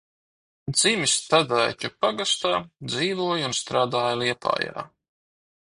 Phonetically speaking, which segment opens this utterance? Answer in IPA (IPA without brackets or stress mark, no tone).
d̪